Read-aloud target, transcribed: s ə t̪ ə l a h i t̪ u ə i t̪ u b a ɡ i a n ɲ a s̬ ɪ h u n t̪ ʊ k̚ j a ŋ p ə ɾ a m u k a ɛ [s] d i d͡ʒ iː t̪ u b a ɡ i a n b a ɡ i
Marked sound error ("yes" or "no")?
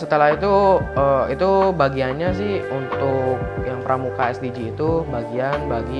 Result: no